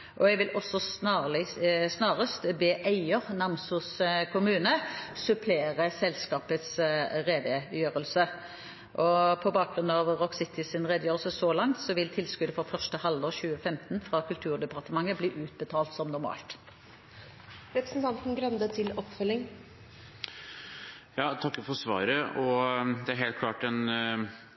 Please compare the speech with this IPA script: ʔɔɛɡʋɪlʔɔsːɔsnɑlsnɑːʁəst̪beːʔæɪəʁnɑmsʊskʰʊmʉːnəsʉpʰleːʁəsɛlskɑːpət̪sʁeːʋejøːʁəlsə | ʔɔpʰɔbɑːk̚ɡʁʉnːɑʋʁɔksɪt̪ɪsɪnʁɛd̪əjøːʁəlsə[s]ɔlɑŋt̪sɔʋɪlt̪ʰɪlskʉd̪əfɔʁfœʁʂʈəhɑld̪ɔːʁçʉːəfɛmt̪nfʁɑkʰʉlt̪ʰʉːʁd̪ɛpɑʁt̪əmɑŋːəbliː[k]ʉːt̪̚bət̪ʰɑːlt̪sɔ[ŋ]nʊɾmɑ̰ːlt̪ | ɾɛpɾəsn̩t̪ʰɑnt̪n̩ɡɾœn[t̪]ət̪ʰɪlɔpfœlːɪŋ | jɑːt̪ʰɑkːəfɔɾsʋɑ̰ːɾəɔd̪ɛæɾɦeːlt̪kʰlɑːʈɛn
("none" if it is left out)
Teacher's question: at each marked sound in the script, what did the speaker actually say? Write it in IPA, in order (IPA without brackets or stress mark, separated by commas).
s, ʔ, m, d̪